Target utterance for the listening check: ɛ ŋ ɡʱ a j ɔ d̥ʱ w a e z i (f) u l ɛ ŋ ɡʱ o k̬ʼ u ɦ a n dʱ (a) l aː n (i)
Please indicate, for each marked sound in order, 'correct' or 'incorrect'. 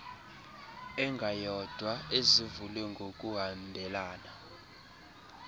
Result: incorrect: v, incorrect: ɛ, incorrect: a

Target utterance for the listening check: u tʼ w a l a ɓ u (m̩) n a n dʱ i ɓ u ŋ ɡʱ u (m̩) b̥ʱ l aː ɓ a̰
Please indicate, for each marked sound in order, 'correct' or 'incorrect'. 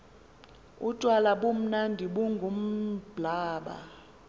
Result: correct, correct

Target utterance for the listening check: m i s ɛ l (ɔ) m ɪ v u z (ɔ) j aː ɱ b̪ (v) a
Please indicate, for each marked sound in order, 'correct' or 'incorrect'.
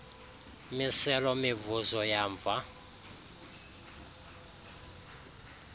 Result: correct, correct, correct

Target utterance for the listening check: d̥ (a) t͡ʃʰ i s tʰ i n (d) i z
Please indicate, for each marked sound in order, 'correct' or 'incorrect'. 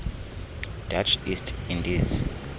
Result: correct, correct

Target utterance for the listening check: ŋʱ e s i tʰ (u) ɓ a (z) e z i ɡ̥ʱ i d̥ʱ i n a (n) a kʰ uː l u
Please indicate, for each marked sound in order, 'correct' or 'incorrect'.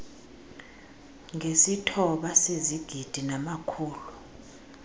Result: incorrect: ɔ, incorrect: s, incorrect: m

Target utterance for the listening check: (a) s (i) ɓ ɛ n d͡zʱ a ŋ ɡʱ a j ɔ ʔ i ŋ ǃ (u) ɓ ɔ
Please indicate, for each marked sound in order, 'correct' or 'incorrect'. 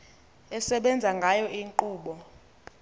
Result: incorrect: ɛ, incorrect: ɛ, incorrect: uː

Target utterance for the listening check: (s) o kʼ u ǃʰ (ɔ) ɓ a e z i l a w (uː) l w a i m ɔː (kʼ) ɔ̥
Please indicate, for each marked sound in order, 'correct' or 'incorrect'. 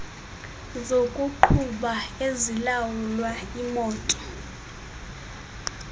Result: incorrect: z, incorrect: u, incorrect: u, incorrect: tʼ

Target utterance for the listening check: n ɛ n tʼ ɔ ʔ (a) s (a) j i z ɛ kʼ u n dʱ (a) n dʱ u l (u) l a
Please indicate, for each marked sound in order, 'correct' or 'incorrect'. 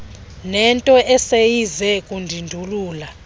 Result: incorrect: ɛ, incorrect: e, incorrect: i, incorrect: uː

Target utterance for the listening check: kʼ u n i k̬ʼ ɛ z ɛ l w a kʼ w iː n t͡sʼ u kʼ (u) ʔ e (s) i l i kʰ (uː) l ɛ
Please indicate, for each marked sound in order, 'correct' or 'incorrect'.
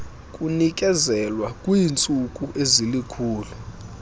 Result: correct, incorrect: z, correct

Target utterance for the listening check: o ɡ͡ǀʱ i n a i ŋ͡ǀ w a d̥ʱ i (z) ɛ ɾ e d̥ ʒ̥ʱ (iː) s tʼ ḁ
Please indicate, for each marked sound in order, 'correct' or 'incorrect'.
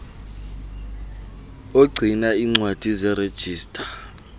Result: correct, correct

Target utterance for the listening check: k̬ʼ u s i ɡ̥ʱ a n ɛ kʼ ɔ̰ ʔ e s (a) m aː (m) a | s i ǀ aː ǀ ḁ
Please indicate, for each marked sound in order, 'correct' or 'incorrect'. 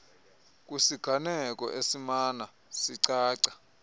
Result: incorrect: i, incorrect: n

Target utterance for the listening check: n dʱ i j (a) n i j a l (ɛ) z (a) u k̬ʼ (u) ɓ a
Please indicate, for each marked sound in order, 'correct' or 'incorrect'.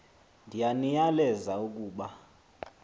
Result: correct, correct, correct, incorrect: uː

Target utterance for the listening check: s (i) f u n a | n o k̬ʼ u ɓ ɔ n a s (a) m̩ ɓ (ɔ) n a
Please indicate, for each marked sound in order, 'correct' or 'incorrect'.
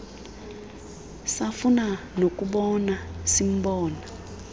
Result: incorrect: a, incorrect: i, incorrect: ɔː

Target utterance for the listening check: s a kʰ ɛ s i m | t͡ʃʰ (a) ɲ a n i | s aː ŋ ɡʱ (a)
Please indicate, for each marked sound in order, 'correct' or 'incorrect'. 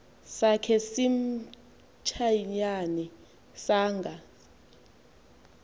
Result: correct, correct

